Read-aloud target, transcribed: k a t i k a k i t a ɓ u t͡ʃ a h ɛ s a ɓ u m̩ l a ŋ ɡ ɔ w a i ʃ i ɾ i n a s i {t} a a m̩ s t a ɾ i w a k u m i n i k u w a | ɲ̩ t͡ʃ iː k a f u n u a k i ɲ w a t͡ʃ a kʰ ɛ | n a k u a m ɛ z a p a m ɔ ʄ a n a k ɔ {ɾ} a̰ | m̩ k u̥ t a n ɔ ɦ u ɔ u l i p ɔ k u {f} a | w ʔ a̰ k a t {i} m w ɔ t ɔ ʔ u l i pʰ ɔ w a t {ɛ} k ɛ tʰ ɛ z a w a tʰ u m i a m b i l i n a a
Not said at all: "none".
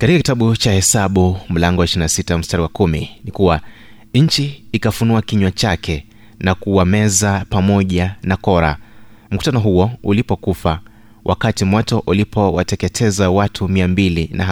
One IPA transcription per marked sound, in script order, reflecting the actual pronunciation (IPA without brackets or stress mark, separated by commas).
t, ɾ, f, i, ɛ